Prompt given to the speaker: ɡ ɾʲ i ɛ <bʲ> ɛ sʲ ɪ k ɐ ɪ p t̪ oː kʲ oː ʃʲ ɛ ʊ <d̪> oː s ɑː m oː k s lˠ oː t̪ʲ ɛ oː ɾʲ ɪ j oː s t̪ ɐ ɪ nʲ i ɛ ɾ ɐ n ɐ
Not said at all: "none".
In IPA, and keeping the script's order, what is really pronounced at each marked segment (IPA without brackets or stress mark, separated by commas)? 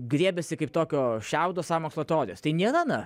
bʲ, d̪